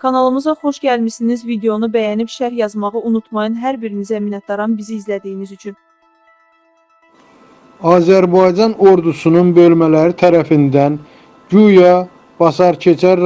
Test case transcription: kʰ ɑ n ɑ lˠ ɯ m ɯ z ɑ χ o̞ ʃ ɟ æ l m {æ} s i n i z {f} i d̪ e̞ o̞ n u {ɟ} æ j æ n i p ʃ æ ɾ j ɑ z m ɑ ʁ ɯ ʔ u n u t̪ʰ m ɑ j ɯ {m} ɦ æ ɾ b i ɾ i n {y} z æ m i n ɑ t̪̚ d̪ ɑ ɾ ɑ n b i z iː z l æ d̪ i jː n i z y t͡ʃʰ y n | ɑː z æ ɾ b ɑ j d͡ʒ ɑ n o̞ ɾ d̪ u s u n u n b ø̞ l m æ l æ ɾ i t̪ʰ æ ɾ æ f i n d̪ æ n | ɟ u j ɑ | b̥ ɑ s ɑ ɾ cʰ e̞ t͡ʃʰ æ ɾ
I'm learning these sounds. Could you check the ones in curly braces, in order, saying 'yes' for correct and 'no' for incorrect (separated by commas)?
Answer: no, no, no, no, no